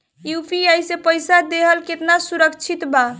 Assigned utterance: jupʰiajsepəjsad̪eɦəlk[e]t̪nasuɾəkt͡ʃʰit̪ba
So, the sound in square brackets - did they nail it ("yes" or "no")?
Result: yes